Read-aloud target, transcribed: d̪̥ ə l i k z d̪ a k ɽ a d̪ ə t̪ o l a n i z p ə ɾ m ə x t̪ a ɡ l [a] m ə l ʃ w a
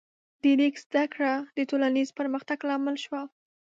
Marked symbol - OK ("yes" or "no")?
no